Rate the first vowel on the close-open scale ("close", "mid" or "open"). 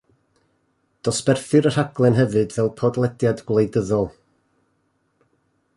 mid